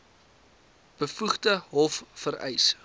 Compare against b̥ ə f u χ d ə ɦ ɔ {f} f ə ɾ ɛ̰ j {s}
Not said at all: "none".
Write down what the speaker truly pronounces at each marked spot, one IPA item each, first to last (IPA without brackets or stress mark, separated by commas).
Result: f, s